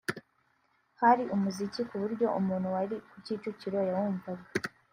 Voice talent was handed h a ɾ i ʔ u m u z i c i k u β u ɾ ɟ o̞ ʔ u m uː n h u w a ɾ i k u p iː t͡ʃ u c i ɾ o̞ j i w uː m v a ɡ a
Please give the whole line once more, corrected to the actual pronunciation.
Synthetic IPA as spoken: h a ɾ i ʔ u m u z i c i k u β u ɾ ɟ o̞ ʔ u m uː n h u w a ɾ i k u c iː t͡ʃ u c i ɾ o̞ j a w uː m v a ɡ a